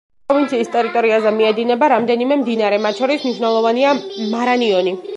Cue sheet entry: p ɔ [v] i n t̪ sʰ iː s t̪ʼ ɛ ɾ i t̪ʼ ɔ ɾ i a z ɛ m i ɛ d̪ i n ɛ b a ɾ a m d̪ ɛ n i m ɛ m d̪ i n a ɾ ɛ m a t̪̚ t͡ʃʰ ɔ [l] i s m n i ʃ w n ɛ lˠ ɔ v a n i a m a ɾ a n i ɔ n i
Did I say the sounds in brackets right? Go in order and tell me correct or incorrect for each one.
correct, incorrect

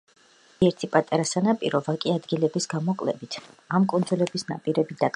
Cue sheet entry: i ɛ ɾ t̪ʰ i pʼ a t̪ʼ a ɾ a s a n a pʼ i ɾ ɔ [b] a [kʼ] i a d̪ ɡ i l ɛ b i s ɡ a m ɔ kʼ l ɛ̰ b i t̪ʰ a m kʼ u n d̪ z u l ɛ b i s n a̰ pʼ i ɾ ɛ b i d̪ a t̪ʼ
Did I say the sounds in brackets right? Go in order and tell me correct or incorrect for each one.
incorrect, correct

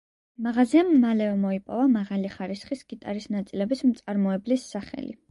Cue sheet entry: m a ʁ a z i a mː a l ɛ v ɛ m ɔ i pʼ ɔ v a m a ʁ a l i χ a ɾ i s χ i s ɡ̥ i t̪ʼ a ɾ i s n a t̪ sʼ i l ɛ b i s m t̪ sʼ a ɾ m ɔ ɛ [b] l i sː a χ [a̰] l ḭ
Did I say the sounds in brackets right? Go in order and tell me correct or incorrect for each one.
correct, incorrect

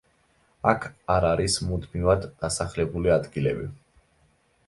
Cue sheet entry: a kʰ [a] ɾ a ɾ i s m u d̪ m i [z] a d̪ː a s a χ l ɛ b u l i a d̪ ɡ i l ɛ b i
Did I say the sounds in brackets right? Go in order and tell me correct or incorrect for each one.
correct, incorrect

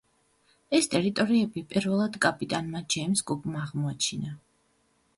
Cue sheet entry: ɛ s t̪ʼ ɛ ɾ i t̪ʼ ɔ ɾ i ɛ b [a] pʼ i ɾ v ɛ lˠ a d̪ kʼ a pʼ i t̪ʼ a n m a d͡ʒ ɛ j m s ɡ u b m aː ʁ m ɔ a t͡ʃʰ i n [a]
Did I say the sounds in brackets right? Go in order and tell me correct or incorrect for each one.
incorrect, correct

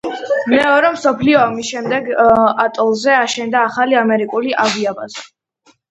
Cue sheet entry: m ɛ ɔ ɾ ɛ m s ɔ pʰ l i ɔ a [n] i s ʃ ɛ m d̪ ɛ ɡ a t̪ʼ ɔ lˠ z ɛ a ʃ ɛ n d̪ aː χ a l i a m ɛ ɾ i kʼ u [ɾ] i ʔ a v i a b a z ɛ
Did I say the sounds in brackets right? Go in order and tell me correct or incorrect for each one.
incorrect, incorrect

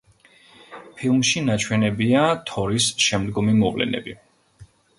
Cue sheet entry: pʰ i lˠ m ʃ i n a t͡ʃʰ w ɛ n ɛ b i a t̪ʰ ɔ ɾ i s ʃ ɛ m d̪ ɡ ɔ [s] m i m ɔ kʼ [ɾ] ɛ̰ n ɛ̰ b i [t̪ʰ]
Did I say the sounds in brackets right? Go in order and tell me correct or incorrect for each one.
incorrect, incorrect, incorrect

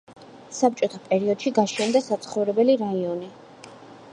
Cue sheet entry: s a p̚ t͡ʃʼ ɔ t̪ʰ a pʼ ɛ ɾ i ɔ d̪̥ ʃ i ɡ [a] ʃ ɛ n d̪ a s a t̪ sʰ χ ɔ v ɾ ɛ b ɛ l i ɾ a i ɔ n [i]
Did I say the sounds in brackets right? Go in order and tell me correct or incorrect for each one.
correct, correct

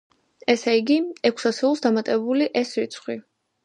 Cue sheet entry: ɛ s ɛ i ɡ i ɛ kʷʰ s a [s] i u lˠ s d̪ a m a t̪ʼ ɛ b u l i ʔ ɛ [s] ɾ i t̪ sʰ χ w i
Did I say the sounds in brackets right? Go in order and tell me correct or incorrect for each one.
correct, correct

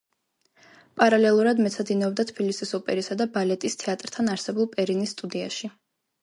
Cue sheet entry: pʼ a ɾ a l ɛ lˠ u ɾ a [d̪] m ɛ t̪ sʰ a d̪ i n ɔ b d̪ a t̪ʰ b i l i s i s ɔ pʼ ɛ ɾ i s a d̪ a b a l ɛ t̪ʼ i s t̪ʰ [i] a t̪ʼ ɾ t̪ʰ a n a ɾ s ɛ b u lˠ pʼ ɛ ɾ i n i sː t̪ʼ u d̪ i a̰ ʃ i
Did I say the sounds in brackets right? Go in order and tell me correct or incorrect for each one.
correct, incorrect

